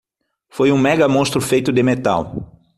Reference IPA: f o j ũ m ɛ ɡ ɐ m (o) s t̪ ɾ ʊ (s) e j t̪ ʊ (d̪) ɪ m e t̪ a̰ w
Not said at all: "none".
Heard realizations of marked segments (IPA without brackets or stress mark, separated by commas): õ, f, d̪